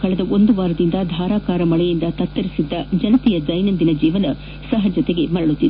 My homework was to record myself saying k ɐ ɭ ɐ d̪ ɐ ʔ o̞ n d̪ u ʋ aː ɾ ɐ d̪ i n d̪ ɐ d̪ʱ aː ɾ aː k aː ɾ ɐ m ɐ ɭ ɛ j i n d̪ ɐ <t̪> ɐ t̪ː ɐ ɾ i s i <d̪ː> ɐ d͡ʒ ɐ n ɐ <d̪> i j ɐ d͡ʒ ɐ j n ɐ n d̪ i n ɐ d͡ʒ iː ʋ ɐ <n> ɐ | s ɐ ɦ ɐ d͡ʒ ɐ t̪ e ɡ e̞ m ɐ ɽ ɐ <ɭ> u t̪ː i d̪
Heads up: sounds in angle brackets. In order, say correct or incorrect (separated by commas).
correct, correct, incorrect, correct, correct